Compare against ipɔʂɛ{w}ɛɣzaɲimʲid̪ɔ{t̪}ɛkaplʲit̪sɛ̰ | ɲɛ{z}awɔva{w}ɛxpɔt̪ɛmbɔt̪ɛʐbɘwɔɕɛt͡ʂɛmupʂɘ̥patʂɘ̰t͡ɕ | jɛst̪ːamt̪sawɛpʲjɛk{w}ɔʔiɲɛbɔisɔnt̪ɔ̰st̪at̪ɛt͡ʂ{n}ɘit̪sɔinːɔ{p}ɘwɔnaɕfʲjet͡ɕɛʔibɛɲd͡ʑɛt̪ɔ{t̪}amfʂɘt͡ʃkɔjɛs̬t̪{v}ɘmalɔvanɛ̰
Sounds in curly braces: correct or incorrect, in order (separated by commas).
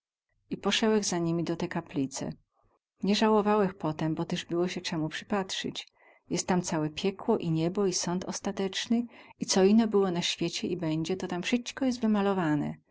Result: correct, correct, incorrect, correct, correct, correct, incorrect, correct, correct